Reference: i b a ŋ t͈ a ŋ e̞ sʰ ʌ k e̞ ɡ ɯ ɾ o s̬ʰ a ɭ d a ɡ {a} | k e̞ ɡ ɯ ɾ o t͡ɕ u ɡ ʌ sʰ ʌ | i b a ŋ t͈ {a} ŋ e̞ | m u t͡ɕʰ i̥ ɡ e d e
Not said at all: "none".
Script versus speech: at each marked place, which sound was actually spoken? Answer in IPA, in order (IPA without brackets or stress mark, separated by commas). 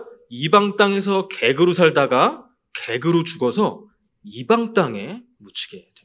a, a